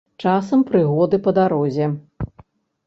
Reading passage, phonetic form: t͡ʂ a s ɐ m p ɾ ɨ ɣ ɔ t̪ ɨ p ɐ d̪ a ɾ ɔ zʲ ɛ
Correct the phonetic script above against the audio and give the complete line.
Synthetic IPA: t͡ʂ a s ɐ m p ɾ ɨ ɣ ɔ d̪ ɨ p ɐ d̪ a ɾ ɔ zʲ ɛ

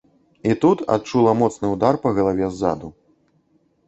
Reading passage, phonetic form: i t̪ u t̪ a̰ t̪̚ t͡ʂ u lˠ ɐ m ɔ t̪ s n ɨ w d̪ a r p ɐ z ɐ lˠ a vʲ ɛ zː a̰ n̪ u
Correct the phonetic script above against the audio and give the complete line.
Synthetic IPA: i t̪ u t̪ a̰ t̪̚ t͡ʂ u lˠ ɐ m ɔ t̪ s n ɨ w d̪ a r p ɐ ɣ ɐ lˠ a vʲ ɛ zː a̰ d̪ u

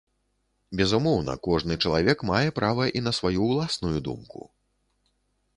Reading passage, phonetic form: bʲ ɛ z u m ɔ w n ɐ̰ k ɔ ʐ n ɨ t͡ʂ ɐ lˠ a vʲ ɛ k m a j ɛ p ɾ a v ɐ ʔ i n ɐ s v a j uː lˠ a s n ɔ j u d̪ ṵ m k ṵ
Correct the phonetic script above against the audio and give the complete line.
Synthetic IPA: bʲ ɛ z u m ɔ w n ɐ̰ k ɔ ʐ n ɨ t͡ʂ ɐ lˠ a vʲ ɛ k m a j ɛ p ɾ a v ɐ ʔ i n ɐ s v a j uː lˠ a s n u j u d̪ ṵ m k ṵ

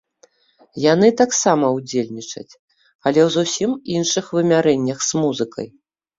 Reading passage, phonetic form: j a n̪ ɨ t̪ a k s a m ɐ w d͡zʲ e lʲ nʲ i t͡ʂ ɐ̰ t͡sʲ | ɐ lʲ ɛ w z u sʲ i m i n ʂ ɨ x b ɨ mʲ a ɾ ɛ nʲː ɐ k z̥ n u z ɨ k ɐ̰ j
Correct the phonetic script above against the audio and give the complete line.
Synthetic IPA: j a n̪ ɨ t̪ a k s a m ɐ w d͡zʲ e lʲ nʲ i t͡ʂ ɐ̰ t͡sʲ | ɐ lʲ ɛ w z u sʲ i m i n ʂ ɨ x v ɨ mʲ a ɾ ɛ nʲː ɐ x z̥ m u z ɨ k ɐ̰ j

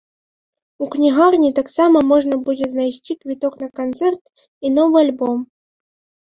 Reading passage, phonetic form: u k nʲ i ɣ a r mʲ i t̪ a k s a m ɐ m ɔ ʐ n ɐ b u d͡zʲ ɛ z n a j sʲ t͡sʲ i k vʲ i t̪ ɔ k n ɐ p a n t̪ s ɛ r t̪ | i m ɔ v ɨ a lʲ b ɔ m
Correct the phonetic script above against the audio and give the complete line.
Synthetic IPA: u k nʲ i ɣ a r nʲ i t̪ a k s a m ɐ m ɔ ʐ n ɐ b u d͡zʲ ɛ z n a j sʲ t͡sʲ i k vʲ i t̪ ɔ k n ɐ k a n t̪ s ɛ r t̪ | i n ɔ v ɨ a lʲ b ɔ m

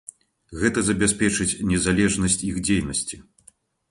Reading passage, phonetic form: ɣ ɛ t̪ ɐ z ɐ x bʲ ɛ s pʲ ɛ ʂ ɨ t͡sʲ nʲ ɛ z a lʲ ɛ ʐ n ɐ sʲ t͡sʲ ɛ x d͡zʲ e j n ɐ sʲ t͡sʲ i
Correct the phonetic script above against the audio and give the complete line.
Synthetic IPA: ɣ ɛ t̪ ɐ z ɐ bʲ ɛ s pʲ ɛ t͡ʂ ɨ t͡sʲ nʲ ɛ z a lʲ ɛ ʐ n ɐ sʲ t͡sʲ i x d͡zʲ e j n ɐ sʲ t͡sʲ i

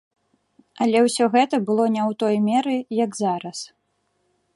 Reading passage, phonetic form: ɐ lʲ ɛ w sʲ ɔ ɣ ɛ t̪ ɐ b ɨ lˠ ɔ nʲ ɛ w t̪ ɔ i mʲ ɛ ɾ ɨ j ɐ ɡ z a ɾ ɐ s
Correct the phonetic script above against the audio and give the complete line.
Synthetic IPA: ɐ lʲ ɛ w sʲ ɔ ɣ ɛ t̪ ɐ b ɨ lˠ ɔ nʲ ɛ w t̪ ɔ j mʲ ɛ ɾ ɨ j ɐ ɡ z a ɾ ɐ s

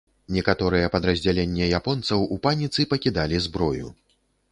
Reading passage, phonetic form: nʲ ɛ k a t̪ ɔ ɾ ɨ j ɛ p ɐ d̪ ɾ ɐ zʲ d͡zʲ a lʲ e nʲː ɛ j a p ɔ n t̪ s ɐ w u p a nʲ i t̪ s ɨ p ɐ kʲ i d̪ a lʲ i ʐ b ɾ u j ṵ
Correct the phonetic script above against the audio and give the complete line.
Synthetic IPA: nʲ ɛ k a t̪ ɔ ɾ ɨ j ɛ p ɐ d̪ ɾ ɐ zʲ d͡zʲ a lʲ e nʲː ɛ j a p ɔ n t̪ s ɐ w u p a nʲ i t̪ s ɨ p ɐ kʲ i d̪ a lʲ i z b ɾ ɔ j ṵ

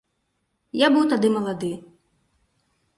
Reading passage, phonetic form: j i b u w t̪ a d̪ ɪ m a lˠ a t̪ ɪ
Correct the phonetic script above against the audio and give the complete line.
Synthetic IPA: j a b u w t̪ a d̪ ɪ m ɐ lˠ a d̪ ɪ

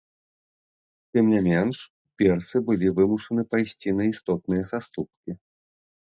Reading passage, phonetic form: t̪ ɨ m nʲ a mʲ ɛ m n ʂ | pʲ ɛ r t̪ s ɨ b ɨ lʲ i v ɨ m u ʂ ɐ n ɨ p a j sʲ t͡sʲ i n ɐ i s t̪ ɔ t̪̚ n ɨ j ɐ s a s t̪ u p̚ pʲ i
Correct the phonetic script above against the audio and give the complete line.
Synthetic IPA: t̪ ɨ m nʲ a mʲ ɛ n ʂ | pʲ ɛ r t̪ s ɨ b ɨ lʲ i v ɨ m u ʂ ɐ n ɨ p a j sʲ t͡sʲ i n ɐ i s t̪ ɔ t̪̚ n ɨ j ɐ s a s t̪ u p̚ kʲ i

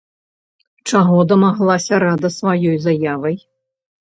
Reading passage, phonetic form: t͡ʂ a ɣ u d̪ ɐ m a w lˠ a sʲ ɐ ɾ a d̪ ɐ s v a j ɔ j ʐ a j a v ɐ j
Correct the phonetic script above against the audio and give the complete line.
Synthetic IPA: t͡ʂ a ɣ ɔ d̪ ɐ m a ɣ lˠ a sʲ ɐ ɾ a d̪ ɐ s v a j ɔ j z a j a v ɐ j

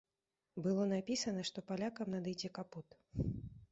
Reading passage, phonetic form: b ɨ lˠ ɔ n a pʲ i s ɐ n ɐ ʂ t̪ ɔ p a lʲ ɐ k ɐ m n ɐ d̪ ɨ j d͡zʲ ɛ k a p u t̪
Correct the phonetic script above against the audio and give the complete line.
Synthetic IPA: b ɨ lˠ ɔ n a pʲ i s ɐ n ɐ ʂ t̪ ɔ p a lʲ a k ɐ m n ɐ d̪ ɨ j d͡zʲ ɛ k a p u t̪

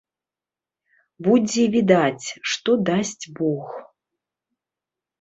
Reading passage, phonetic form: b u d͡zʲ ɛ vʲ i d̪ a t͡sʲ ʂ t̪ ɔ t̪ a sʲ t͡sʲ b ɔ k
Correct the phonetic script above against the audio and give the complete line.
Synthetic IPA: b u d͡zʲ ɛ vʲ i d̪ a t͡sʲ ʂ t̪ ɔ d̪ a sʲ t͡sʲ b ɔ x

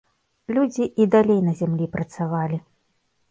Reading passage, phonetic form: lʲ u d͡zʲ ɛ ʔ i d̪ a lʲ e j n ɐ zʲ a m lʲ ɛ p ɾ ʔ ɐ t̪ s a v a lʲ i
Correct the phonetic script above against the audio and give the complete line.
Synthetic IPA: lʲ u d͡zʲ i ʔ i d̪ a lʲ e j n ɐ zʲ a m lʲ i p ɾ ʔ ɐ t̪ s a v a lʲ i

